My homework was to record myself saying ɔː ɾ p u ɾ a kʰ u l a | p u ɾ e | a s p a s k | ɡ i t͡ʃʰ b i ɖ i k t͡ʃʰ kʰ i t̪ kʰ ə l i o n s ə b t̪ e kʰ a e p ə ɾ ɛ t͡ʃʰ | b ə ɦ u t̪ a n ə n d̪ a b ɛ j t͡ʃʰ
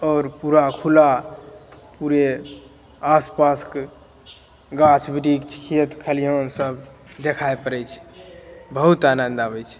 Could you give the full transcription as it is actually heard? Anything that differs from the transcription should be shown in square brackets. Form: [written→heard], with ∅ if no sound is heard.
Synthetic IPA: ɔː ɾ p u ɾ a kʰ u l a | p u ɾ e | a s p a s k | ɡ [i→a] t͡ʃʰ b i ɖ i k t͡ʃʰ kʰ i t̪ kʰ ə l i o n s ə b [t̪→d̪] e kʰ a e p ə ɾ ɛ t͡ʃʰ | b ə ɦ u t̪ a n ə n d̪ a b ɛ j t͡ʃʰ